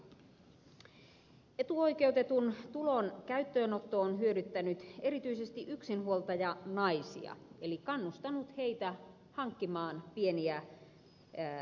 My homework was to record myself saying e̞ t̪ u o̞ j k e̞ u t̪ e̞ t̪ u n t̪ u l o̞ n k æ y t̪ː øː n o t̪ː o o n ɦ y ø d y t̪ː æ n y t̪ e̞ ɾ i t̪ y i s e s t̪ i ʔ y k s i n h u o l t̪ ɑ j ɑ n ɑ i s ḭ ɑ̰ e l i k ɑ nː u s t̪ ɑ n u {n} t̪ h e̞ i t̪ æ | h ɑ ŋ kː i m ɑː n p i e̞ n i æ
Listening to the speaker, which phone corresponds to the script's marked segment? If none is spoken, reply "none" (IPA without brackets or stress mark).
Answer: none